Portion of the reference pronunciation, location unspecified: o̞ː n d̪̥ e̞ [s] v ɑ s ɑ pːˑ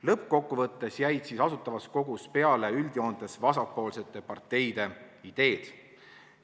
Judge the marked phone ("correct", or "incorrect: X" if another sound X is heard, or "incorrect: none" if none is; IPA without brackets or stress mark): correct